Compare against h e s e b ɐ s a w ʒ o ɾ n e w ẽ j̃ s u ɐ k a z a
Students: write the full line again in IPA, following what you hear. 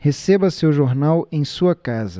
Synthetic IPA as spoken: h e s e b ɐ s e w ʒ o ɾ n a w ẽ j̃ s u ɐ k a z ɐ